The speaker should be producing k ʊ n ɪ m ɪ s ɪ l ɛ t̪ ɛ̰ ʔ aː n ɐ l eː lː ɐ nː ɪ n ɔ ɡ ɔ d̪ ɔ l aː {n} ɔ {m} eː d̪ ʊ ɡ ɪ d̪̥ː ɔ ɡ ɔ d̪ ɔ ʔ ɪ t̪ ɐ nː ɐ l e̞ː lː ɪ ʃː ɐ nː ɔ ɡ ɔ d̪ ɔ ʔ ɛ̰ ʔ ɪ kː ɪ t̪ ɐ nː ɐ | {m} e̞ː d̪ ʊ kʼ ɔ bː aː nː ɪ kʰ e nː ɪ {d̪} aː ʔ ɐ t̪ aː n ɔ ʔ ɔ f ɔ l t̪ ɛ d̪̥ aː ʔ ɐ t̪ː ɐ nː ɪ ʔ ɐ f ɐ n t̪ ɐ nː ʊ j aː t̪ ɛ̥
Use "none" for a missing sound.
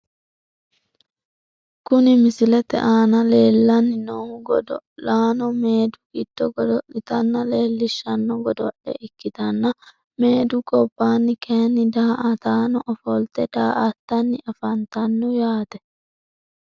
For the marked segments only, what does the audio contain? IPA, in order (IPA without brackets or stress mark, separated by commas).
n, m, m, d̪